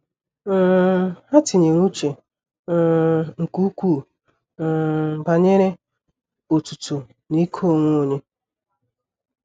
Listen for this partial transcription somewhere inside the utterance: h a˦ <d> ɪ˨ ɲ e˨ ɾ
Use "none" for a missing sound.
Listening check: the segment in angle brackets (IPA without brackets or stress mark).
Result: t